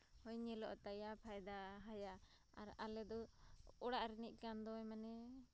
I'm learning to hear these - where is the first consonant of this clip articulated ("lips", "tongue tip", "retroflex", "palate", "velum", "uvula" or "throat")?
throat